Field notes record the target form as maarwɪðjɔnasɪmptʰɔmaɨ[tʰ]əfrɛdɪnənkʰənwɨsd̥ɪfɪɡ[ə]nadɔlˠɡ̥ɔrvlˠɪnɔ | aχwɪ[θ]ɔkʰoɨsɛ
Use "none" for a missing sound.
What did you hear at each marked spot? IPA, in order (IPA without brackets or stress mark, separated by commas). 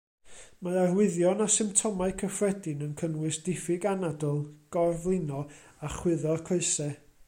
kʰ, a, ð